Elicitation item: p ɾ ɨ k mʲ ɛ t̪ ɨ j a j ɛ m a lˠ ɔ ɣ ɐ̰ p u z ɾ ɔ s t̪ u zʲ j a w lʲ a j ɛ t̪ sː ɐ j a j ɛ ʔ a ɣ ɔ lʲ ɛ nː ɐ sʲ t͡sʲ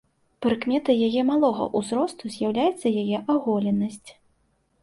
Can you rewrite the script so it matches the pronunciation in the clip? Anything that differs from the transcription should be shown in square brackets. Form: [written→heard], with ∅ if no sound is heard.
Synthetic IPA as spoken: p ɾ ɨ k mʲ ɛ t̪ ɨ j a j ɛ m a lˠ ɔ ɣ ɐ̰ [p→ʔ] u z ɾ ɔ s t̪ u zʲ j a w lʲ a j ɛ t̪ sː ɐ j a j ɛ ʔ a ɣ ɔ lʲ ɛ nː ɐ sʲ t͡sʲ